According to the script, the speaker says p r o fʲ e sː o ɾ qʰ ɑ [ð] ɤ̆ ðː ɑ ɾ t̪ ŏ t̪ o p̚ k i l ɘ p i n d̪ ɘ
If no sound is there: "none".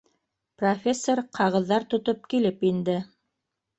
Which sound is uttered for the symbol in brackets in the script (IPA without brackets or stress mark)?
ʁ